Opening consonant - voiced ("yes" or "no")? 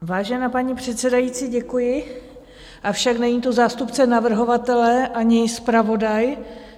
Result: yes